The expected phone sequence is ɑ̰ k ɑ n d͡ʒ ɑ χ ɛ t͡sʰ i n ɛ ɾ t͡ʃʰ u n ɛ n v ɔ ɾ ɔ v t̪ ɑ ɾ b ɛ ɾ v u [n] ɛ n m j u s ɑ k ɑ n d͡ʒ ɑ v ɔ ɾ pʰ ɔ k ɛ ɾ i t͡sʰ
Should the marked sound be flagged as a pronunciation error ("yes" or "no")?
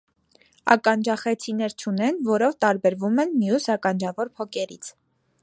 yes